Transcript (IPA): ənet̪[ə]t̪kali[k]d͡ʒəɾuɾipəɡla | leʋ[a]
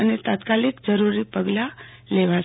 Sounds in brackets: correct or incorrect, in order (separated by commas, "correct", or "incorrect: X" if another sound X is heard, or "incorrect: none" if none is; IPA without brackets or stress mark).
incorrect: a, correct, correct